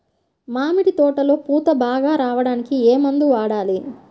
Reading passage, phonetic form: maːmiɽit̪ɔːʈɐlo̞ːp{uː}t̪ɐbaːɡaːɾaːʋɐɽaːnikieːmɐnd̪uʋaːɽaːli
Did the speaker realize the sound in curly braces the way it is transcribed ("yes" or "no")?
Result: yes